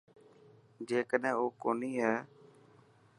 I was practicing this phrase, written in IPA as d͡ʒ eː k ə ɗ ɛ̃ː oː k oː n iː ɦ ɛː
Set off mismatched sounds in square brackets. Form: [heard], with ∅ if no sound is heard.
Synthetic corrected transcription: d͡ʒ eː k ə ɗ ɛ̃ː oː k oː n iː ɦ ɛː